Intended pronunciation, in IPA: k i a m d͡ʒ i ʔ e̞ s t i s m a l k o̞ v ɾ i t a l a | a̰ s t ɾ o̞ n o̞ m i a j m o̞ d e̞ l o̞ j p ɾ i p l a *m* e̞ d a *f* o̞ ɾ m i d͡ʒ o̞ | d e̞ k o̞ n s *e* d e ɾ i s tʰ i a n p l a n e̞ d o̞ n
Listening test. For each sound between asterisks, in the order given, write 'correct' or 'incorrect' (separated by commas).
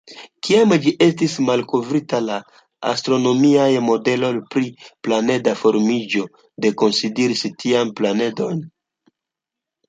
incorrect, correct, incorrect